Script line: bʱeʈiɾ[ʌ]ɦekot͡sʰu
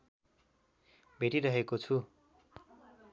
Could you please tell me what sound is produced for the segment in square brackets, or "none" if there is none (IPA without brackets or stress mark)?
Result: ʌ